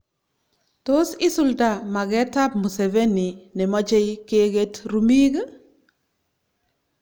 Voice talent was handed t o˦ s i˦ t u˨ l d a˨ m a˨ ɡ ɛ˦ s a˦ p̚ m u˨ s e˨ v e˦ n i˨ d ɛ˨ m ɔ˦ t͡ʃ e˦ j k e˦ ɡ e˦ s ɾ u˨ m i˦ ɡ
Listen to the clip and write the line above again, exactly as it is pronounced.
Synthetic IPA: t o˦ s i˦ s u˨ l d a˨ m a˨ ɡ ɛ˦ t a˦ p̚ m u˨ s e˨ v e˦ n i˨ n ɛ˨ m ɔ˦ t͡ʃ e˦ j k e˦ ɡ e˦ t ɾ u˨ m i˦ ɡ